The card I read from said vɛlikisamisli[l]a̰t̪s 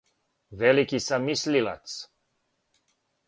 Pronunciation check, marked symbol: correct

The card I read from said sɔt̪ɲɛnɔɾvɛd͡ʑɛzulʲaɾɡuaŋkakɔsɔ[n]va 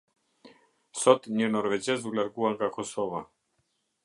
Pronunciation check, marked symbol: incorrect: none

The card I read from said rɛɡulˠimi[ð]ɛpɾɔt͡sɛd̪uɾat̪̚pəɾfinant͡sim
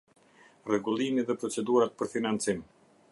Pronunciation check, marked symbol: correct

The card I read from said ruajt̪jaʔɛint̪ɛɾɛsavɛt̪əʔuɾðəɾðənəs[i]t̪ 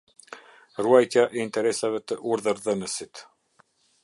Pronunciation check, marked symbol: correct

